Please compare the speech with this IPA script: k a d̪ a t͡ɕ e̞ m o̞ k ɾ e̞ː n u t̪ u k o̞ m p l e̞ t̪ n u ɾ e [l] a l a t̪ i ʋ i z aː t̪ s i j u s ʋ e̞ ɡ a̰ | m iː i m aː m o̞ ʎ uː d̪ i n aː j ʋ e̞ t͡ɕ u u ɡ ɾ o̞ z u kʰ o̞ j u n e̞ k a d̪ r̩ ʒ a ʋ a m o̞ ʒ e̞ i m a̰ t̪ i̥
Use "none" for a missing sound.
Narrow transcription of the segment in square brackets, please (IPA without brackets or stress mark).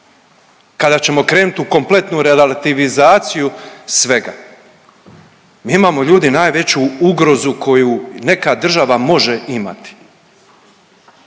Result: l